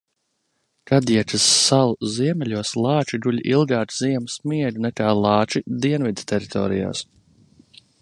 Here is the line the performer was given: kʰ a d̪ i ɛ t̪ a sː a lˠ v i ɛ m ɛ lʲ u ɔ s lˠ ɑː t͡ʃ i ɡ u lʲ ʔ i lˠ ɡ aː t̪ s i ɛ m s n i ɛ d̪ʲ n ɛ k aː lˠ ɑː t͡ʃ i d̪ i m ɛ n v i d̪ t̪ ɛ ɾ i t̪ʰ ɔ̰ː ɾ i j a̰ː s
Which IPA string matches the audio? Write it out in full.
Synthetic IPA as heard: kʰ a d̪ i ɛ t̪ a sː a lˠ z i ɛ m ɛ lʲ u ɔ s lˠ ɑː t͡ʃ i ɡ u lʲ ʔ i lˠ ɡ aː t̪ z i ɛ m s m i ɛ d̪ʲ n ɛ k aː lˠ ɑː t͡ʃ i d̪ i ɛ n v i d̪ t̪ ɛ ɾ i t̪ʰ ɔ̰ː ɾ i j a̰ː s